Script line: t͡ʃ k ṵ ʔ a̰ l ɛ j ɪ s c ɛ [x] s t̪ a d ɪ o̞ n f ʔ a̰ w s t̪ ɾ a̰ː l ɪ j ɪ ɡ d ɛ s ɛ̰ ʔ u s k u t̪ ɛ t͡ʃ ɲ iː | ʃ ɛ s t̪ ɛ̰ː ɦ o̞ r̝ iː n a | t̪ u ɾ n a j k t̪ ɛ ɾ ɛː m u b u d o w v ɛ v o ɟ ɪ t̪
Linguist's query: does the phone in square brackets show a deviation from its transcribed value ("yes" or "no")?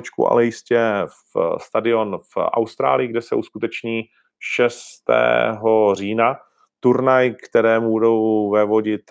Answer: yes